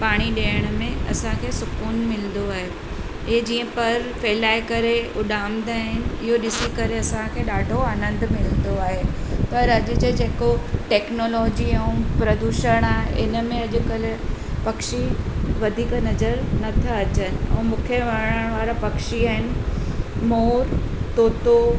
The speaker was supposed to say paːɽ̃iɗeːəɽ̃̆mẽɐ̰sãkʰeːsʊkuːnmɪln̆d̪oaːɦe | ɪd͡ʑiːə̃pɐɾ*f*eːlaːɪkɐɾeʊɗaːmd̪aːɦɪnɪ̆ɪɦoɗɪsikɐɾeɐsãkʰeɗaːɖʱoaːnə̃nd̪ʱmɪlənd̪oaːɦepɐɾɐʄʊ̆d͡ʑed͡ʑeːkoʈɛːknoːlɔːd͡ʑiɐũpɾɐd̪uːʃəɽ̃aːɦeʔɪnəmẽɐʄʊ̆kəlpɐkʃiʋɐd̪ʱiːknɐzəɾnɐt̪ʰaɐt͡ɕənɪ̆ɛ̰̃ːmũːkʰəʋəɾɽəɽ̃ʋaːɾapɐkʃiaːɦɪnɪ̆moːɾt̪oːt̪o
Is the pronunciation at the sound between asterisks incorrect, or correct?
correct